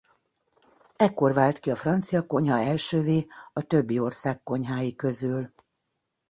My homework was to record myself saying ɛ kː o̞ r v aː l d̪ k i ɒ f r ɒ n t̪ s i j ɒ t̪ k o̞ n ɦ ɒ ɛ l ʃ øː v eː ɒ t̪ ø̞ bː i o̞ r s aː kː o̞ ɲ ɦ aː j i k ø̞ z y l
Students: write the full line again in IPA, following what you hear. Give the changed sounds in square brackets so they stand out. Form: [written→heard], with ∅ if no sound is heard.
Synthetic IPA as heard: ɛ kː o̞ r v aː l [d̪→t̪] k i ɒ f r ɒ n t̪ s i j ɒ [t̪→∅] k o̞ [n→ɲ] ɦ ɒ ɛ l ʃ øː v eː ɒ t̪ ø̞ bː i o̞ r s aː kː o̞ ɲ ɦ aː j i k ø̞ z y l